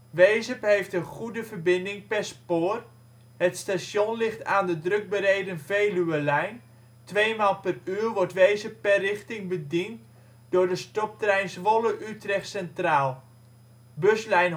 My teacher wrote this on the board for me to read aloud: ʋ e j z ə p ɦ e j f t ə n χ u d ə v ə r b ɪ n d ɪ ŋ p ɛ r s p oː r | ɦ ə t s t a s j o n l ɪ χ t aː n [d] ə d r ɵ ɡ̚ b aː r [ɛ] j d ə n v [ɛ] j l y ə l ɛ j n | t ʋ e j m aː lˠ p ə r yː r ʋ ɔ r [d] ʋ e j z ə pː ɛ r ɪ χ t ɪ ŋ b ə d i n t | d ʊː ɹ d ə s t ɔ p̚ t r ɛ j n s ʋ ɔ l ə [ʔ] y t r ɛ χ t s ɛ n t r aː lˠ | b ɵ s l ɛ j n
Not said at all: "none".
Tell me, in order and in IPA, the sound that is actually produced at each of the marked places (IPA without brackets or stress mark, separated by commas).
d, e, e, t, ʔ